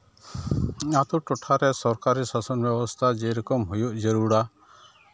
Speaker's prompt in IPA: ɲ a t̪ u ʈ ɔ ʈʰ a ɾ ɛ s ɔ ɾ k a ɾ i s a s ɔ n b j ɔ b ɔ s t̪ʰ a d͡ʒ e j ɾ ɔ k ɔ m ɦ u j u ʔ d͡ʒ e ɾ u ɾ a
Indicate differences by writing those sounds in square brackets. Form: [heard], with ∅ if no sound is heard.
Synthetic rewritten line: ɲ a t̪ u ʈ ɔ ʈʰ a ɾ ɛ s ɔ ɾ k a ɾ i s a s ɔ n b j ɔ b ɔ s t̪ʰ a d͡ʒ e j ɾ ɔ k ɔ m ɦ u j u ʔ d͡ʒ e ɾ u [ɽ] a